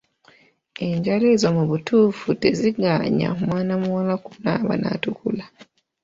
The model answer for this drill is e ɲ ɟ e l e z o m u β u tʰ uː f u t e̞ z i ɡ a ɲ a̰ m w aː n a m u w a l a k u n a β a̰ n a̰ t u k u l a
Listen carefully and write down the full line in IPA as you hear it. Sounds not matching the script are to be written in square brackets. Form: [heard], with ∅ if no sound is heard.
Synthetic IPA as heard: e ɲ ɟ [a] l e z o m u β u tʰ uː f u t e̞ z i ɡ a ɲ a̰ m w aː n a m u w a l a k u n a β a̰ n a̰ t u k u l a